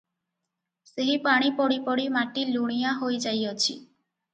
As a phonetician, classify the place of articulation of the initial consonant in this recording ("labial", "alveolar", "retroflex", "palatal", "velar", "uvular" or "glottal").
alveolar